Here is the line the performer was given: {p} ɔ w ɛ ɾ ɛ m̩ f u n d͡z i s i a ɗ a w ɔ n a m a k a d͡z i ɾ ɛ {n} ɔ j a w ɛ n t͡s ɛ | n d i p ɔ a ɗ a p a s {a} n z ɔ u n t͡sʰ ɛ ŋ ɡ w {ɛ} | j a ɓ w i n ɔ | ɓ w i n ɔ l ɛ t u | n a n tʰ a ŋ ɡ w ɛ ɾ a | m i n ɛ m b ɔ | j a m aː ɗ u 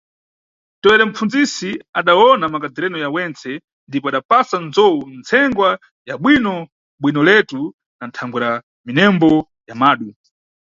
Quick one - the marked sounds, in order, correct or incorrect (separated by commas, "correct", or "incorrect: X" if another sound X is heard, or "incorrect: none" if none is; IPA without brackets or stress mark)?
incorrect: t, correct, correct, incorrect: a